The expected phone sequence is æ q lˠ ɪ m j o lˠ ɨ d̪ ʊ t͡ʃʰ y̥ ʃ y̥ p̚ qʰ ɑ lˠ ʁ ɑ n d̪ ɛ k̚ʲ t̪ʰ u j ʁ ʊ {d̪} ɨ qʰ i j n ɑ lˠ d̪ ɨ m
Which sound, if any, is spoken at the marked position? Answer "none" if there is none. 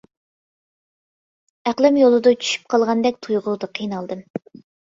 d̪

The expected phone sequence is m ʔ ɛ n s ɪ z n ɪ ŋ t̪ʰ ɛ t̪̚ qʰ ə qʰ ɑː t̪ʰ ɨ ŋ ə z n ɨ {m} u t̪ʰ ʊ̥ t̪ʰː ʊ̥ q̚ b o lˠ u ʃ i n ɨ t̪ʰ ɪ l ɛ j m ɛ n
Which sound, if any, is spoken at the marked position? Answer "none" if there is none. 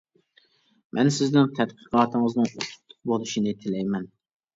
ŋ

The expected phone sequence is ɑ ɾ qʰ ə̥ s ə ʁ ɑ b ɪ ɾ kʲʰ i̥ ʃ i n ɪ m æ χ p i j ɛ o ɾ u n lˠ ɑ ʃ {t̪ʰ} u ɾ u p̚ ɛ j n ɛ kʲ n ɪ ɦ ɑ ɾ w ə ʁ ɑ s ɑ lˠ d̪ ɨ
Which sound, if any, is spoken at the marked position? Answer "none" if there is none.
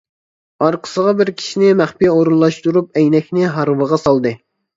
t̪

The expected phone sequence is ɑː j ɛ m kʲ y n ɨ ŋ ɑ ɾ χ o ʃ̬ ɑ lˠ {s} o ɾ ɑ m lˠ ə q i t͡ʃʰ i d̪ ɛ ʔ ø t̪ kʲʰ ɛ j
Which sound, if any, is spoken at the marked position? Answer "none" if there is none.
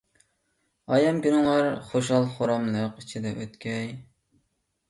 χ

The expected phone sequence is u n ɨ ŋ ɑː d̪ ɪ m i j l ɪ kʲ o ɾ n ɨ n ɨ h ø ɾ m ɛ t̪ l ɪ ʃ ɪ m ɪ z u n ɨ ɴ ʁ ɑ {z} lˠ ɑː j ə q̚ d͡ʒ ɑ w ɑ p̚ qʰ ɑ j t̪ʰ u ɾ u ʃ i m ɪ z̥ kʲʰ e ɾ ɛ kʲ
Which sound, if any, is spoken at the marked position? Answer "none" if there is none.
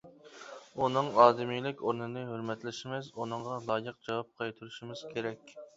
none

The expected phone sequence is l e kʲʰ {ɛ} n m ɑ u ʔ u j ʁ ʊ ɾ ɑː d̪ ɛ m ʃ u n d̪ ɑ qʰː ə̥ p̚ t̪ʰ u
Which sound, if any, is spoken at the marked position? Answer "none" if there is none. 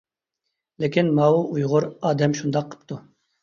i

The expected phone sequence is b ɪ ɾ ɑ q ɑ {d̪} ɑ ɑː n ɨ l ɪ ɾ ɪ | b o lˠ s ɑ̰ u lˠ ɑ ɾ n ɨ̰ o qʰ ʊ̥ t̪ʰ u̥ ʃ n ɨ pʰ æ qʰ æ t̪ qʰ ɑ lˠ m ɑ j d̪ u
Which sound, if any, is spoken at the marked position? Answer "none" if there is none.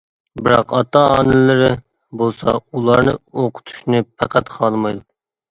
t̪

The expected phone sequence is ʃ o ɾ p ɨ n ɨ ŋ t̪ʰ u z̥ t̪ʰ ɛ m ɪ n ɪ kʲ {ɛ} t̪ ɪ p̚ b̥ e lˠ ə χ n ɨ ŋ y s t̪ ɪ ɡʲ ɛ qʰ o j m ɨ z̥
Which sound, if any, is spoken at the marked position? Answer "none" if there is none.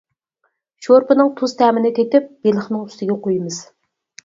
e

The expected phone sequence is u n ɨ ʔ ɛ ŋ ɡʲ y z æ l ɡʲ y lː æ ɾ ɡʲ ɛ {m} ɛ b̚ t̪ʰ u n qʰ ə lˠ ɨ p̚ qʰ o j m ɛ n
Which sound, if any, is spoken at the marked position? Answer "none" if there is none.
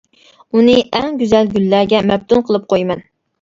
m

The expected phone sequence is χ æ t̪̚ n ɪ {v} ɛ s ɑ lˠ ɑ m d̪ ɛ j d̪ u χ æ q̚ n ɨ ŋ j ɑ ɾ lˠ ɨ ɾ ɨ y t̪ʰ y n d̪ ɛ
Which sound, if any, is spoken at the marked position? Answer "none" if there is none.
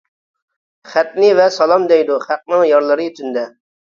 v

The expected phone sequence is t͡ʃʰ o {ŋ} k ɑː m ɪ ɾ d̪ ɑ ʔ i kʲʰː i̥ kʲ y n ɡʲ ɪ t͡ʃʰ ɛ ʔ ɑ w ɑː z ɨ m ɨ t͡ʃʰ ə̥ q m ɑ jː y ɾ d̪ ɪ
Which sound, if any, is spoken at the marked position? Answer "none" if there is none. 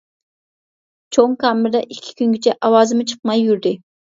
ŋ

